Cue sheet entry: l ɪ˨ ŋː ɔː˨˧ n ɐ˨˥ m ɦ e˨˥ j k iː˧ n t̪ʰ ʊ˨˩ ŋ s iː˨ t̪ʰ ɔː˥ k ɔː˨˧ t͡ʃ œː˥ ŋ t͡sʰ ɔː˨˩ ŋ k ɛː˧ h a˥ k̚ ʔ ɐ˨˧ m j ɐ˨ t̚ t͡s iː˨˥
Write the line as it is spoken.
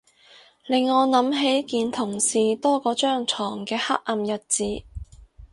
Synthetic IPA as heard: l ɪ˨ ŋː ɔː˨˧ n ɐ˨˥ m ɦ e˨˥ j k iː˧ n t̪ʰ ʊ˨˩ ŋ s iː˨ t̪ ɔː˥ k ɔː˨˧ t͡ʃ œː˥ ŋ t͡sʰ ɔː˨˩ ŋ k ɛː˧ h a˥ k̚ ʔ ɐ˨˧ m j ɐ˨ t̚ t͡s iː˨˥